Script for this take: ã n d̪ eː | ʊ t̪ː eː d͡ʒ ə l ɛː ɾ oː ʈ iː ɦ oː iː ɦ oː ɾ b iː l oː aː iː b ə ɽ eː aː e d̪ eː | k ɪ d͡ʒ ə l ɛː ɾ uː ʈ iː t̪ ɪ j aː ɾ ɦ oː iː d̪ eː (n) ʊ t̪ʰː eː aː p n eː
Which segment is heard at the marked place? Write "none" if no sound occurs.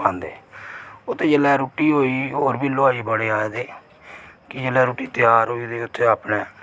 none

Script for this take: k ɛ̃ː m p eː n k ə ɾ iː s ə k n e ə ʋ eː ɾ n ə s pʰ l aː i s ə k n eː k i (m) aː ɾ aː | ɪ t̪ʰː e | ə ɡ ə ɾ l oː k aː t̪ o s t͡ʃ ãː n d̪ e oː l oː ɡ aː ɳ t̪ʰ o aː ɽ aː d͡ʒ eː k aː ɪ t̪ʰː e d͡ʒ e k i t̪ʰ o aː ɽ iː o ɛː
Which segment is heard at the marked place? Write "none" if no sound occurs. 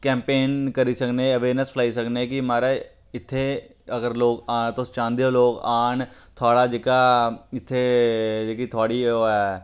m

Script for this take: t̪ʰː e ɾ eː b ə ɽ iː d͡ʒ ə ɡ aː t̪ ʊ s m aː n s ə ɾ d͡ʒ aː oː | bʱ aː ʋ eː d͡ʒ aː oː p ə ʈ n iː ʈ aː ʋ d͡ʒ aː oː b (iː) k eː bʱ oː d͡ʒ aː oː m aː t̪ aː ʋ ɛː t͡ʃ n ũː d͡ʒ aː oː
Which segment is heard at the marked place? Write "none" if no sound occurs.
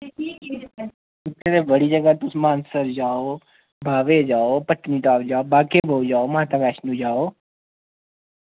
aː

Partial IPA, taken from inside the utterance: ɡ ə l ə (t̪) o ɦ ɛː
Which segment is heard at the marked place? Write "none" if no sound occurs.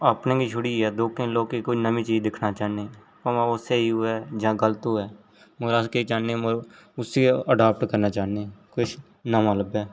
t̪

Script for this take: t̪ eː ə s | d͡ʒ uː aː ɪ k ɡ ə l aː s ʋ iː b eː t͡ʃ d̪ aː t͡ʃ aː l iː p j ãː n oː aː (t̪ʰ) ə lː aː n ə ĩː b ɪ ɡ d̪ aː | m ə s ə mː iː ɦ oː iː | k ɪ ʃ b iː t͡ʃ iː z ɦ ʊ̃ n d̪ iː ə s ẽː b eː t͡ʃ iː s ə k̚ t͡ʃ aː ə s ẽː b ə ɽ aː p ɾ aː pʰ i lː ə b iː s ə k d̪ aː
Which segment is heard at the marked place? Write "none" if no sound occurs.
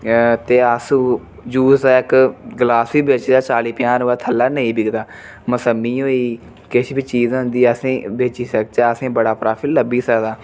t̪ʰ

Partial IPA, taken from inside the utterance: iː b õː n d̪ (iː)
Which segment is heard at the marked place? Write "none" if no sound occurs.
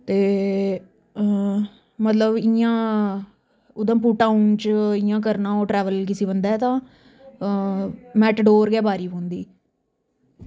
iː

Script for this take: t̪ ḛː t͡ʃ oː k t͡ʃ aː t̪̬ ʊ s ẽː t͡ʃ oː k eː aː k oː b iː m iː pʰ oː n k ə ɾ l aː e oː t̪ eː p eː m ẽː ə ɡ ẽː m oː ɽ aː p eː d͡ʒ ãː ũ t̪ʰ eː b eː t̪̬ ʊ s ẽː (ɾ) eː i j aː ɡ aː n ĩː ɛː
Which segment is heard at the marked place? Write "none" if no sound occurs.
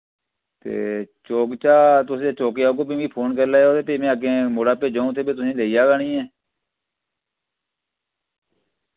l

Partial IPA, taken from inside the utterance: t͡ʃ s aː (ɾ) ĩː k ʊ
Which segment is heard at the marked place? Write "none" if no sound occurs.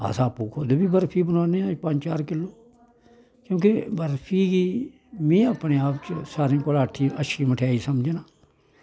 ɾ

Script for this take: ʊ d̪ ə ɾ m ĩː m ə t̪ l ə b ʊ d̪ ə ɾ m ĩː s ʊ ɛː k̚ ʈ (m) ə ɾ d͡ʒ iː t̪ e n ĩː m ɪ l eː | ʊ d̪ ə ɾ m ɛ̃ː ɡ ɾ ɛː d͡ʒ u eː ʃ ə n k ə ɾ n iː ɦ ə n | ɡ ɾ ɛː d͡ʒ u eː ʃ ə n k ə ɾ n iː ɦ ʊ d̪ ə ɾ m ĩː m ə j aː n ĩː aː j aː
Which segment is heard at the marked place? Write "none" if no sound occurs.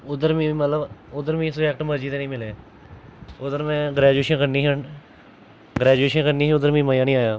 m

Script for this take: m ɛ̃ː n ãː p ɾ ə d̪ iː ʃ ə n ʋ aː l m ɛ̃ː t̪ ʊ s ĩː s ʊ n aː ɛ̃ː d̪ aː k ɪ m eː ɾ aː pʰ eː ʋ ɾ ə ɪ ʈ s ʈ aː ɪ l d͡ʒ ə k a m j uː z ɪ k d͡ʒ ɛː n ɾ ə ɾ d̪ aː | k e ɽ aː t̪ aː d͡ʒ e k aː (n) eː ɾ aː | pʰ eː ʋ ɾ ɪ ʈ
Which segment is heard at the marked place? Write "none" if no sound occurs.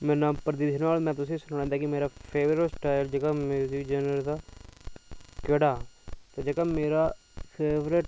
m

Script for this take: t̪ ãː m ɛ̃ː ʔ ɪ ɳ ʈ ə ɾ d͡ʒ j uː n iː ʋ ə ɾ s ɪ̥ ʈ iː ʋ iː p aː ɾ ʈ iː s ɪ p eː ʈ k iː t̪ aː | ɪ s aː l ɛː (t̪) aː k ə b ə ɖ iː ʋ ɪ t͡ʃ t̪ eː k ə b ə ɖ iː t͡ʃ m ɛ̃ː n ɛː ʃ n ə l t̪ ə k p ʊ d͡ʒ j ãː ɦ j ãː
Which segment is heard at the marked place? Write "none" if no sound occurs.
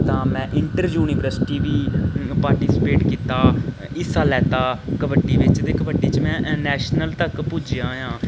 t̪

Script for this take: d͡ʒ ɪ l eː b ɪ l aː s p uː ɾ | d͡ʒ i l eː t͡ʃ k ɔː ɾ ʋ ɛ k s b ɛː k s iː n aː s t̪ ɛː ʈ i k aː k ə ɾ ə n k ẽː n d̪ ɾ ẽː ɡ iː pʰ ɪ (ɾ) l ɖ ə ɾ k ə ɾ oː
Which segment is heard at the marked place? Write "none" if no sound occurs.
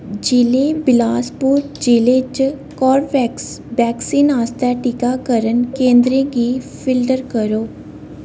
none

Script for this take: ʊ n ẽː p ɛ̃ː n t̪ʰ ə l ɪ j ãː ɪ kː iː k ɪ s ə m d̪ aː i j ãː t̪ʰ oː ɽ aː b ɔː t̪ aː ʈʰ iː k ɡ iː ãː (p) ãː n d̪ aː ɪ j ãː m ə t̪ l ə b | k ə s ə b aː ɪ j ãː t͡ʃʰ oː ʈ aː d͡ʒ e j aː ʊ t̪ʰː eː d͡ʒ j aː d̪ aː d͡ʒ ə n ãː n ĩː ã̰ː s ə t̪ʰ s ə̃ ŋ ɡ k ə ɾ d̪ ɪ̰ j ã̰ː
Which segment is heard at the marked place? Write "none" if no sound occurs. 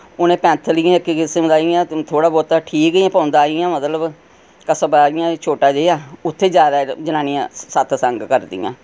p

